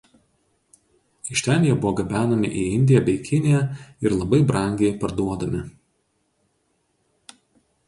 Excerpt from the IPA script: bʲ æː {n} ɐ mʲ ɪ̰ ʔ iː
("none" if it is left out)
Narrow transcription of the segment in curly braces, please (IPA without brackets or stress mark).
n